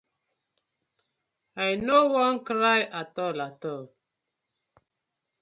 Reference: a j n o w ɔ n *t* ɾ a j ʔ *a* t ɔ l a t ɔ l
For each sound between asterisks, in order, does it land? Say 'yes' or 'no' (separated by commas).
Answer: no, yes